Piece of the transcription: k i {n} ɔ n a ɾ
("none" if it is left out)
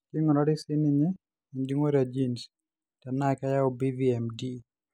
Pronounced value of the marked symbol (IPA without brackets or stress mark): ŋ